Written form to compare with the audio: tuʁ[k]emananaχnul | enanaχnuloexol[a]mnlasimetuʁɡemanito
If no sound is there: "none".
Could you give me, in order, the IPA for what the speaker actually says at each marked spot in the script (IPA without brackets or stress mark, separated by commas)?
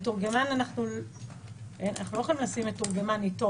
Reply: ɡ, i